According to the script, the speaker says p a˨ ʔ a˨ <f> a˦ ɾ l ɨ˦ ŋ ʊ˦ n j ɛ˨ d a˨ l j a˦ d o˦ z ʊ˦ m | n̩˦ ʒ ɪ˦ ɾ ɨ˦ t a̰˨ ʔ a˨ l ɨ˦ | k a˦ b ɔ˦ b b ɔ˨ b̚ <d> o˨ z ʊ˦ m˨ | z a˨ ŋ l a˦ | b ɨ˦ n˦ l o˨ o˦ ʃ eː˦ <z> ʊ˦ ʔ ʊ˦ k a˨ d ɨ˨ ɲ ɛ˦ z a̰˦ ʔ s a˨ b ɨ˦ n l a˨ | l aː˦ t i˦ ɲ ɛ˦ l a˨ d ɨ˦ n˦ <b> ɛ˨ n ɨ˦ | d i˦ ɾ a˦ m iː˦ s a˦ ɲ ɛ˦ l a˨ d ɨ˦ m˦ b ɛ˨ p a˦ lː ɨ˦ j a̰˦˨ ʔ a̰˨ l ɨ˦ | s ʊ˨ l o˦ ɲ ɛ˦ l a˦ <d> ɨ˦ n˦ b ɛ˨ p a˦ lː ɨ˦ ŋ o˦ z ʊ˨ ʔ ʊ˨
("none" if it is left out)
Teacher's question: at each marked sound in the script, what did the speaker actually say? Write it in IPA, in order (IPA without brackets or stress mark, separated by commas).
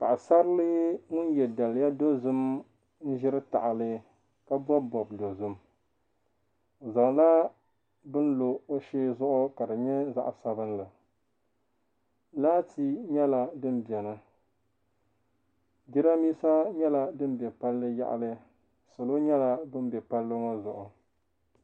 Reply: s, d, z, b, b